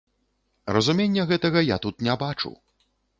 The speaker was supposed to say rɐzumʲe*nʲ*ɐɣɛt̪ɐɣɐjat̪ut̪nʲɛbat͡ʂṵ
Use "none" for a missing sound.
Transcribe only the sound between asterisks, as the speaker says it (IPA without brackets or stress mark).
nʲː